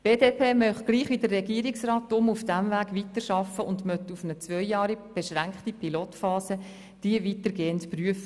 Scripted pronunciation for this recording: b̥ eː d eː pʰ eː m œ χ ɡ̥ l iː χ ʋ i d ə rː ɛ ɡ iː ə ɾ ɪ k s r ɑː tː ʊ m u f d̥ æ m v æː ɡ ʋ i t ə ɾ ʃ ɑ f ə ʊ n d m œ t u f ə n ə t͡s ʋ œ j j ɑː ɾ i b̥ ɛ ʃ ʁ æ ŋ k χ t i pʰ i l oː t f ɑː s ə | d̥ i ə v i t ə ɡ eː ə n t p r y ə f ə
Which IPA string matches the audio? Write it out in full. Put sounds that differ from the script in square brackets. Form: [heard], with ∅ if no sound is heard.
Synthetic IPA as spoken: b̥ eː d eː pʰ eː m œ χ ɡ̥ l iː χ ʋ i d ə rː ɛ ɡ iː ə ɾ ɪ k s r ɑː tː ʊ m u f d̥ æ m v æː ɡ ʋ i t ə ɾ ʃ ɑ f ə ʊ n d m œ t u f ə n ə t͡s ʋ œ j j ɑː ɾ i b̥ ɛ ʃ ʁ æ ŋ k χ t i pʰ i l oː t f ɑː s ə | d̥ i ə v i t ə ɡ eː ə n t p r y ə f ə